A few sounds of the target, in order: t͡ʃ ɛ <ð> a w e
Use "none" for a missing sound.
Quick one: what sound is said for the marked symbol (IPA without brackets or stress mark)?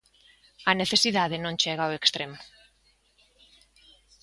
ɣ